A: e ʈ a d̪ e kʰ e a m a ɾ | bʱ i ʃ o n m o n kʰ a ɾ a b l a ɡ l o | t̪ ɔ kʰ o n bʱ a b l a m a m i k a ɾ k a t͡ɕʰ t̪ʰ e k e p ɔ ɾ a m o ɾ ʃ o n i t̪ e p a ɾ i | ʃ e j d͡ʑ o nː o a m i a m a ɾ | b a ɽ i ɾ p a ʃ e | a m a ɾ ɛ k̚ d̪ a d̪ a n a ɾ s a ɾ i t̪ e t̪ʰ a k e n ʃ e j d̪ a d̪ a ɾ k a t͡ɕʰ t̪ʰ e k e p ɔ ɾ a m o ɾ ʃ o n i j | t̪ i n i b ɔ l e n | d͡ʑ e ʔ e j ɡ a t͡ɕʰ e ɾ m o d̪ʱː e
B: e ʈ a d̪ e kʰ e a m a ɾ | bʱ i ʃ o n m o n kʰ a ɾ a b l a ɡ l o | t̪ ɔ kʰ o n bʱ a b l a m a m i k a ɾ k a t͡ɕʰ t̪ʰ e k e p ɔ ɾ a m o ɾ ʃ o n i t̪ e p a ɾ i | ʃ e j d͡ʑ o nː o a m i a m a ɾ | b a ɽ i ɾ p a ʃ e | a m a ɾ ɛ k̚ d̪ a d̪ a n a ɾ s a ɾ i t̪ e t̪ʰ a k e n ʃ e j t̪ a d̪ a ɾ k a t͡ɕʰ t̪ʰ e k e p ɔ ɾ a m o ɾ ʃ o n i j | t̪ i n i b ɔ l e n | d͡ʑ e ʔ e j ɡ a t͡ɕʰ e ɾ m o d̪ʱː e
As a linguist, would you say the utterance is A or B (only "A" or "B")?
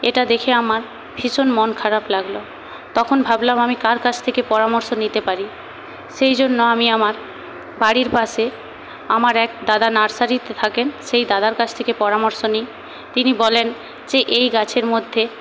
A